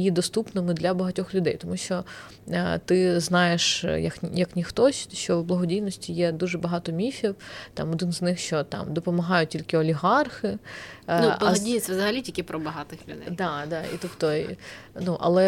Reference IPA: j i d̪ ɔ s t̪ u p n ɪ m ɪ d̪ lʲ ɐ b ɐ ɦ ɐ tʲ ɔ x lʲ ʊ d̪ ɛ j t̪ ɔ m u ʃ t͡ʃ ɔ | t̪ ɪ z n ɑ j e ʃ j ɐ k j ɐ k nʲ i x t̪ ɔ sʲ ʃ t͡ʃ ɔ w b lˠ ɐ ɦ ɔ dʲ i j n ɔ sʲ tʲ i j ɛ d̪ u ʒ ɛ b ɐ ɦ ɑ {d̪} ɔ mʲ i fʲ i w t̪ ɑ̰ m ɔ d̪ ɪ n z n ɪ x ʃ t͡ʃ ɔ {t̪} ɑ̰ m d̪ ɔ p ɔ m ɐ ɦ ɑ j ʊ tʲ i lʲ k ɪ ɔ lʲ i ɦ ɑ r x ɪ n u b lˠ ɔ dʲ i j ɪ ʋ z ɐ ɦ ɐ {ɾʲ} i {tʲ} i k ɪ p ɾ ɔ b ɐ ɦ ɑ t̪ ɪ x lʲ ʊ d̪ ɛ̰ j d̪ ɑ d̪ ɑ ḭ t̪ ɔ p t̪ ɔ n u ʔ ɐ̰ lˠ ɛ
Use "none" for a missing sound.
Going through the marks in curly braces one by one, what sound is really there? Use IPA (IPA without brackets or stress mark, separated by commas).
t̪, t̪, lʲ, tʲ